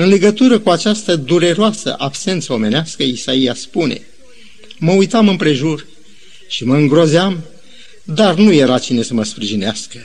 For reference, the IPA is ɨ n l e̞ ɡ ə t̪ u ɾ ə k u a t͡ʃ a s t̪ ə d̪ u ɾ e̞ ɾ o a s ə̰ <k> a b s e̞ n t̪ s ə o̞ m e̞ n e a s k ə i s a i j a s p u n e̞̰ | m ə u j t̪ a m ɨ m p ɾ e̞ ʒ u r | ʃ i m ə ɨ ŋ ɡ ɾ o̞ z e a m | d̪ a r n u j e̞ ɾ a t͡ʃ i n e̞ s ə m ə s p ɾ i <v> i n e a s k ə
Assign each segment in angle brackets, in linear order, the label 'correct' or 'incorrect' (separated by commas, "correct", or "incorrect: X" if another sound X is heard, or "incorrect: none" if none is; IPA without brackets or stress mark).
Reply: incorrect: ʔ, incorrect: ʒ